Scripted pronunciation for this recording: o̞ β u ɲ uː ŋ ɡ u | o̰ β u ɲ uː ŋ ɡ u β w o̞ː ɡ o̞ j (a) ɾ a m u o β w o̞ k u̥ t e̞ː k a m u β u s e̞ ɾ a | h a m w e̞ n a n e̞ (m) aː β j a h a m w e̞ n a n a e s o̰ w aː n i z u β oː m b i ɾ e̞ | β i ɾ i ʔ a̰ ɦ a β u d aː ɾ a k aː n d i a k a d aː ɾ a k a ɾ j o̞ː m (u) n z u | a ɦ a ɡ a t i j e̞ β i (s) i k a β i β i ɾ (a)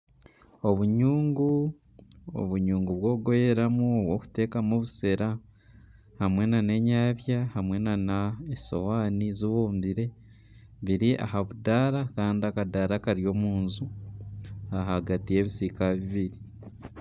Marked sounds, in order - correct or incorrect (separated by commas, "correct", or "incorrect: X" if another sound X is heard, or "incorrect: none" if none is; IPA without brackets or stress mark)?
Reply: incorrect: e, incorrect: ɲ, incorrect: uː, correct, incorrect: i